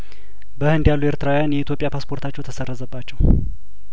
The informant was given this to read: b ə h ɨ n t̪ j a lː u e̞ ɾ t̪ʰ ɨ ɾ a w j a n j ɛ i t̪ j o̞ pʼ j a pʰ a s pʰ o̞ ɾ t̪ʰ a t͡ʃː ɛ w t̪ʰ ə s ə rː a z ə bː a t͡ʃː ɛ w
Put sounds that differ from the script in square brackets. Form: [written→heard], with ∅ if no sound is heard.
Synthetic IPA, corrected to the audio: b ə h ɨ n [t̪→d̪] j a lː u e̞ ɾ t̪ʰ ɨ ɾ a w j a n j ɛ i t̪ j o̞ pʼ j a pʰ a s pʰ o̞ ɾ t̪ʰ a t͡ʃː ɛ w t̪ʰ ə s ə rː [a→ə] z ə bː a t͡ʃː ɛ w